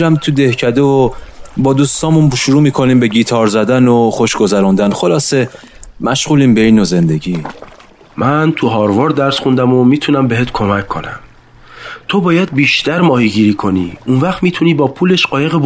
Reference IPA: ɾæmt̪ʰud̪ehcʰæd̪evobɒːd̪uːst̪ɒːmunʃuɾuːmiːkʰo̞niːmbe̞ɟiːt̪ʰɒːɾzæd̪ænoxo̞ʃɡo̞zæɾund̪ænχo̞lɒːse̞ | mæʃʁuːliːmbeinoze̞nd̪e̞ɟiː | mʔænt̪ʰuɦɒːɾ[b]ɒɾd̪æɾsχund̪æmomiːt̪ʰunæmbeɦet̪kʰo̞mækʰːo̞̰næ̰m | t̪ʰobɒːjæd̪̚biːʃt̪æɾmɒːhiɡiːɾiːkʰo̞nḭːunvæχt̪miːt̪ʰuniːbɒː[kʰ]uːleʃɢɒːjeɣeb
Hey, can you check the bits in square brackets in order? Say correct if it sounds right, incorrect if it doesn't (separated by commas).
incorrect, incorrect